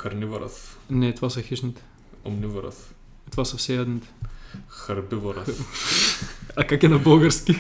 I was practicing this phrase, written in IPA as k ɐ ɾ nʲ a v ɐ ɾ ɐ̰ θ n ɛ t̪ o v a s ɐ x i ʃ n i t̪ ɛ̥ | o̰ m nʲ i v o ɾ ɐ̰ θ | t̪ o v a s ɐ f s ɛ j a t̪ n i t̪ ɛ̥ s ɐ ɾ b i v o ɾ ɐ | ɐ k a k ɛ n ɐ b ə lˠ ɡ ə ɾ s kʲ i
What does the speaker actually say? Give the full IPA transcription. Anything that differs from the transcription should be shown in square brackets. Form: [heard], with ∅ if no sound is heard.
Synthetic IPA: k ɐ ɾ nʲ [i] v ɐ ɾ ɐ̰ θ n ɛ t̪ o v a s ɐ x i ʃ n i t̪ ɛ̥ | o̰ m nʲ i v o ɾ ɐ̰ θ | t̪ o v a s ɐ f s ɛ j a [d̪] n i t̪ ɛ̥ [x] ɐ ɾ b i v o ɾ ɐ | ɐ k a k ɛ n ɐ b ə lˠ ɡ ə ɾ s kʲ i